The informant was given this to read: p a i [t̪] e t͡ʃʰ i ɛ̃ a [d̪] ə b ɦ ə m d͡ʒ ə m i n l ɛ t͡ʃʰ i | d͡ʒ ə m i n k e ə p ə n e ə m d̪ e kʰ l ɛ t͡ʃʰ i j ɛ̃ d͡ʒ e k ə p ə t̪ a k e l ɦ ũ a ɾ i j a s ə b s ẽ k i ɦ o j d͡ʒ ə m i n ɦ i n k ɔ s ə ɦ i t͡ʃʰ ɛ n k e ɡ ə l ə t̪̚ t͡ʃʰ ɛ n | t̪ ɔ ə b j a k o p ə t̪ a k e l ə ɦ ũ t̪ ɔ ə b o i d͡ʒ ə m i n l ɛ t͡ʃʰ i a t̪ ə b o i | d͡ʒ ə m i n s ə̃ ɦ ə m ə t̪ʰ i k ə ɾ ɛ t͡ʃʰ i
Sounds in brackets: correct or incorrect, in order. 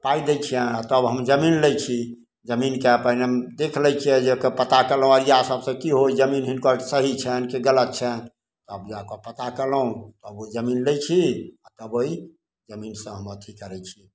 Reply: incorrect, incorrect

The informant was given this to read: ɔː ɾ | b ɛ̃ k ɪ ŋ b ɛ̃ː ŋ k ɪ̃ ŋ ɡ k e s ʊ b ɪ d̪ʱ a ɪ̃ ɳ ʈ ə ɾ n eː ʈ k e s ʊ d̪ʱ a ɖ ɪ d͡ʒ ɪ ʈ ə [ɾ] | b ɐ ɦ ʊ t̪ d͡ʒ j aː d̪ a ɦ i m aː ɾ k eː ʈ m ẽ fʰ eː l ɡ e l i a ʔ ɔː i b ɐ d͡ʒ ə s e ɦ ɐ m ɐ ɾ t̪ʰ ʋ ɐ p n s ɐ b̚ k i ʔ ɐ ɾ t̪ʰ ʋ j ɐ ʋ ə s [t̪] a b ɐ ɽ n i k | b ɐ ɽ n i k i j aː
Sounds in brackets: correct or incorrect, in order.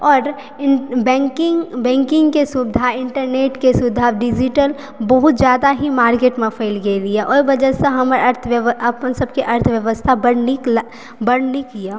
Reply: incorrect, incorrect

